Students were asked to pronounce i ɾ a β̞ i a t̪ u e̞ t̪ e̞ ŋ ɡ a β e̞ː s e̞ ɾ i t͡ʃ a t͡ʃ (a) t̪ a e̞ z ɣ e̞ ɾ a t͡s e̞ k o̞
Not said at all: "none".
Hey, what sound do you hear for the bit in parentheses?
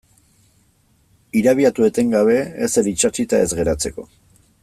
i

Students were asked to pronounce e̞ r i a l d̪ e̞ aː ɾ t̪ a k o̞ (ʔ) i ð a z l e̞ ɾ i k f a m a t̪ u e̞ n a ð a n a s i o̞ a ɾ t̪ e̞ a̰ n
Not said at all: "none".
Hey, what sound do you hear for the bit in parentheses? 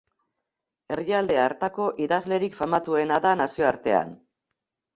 ʔ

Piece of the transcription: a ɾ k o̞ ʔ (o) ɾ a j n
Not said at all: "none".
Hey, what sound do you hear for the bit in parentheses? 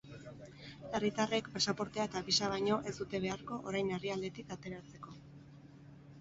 o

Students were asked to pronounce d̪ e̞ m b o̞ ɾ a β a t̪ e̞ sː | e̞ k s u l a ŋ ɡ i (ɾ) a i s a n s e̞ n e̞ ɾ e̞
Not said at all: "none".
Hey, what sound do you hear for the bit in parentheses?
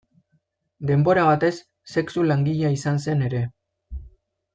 ʎ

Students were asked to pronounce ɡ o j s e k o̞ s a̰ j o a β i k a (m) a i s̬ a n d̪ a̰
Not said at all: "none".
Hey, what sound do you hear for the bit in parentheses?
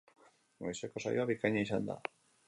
ɲ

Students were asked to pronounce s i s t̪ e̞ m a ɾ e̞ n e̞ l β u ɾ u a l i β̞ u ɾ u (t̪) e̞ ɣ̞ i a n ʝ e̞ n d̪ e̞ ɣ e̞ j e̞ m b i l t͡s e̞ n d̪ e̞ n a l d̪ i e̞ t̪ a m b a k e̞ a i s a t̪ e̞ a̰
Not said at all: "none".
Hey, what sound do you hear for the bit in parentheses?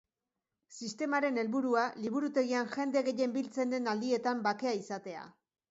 t̪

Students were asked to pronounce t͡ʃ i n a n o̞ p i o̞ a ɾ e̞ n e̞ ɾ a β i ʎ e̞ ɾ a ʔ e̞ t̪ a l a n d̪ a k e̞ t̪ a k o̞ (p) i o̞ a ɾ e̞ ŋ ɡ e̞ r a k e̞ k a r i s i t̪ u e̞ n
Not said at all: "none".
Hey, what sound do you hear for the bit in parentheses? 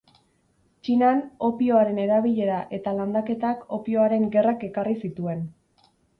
p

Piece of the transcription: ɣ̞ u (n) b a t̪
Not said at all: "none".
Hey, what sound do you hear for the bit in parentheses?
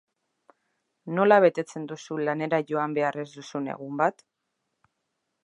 m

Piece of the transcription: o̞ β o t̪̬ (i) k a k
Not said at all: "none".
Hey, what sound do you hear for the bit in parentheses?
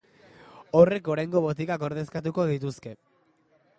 i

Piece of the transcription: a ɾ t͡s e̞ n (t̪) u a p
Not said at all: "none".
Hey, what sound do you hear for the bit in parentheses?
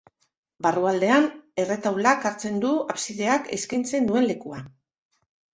d̪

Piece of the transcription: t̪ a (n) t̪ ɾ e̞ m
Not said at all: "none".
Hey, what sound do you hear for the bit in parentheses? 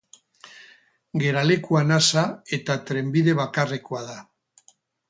none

